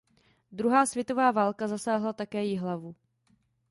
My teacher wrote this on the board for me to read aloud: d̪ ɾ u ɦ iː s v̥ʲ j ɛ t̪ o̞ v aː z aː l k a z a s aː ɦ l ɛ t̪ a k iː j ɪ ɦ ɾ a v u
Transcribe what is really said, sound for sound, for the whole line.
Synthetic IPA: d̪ ɾ u ɦ aː s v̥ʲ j ɛ t̪ o̞ v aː v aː l k a z a s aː ɦ l a t̪ a k ɛː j ɪ ɦ l a v u